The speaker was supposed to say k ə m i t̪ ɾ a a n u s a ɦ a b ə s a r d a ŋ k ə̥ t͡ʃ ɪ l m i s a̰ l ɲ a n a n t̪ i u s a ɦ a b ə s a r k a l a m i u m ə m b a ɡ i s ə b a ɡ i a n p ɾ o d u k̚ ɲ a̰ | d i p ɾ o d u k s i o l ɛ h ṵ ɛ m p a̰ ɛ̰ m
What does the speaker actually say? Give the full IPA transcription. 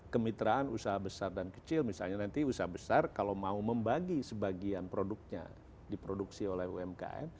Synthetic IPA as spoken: k ə m i t̪ ɾ a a n u s a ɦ a b ə s a r d a n k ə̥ t͡ʃ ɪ l m i s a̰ l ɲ a n a n t̪ i u s a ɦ a b ə s a r k a l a m a u m ə m b a ɡ i s ə b a ɡ i a n p ɾ o d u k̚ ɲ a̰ | d i p ɾ o d u k s i o l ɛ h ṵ ɛ m k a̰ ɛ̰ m